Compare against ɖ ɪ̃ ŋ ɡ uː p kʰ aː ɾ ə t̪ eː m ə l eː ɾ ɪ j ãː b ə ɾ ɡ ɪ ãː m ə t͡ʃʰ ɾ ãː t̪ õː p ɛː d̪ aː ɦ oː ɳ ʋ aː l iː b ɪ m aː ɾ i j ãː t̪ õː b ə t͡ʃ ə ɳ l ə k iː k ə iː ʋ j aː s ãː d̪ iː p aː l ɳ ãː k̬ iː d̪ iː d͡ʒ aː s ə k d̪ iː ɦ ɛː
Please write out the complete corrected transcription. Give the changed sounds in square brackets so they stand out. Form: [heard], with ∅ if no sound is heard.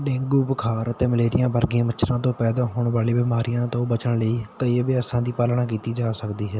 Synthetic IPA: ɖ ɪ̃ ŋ ɡ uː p kʰ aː ɾ ə t̪ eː m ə l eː ɾ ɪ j ãː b ə ɾ ɡ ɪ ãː m ə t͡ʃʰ ɾ ãː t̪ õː p ɛː d̪ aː ɦ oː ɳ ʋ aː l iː b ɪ m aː ɾ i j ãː t̪ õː b ə t͡ʃ ə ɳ l ə [∅] iː k ə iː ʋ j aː s ãː d̪ iː p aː l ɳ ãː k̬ iː [t̪] iː d͡ʒ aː s ə k d̪ iː ɦ ɛː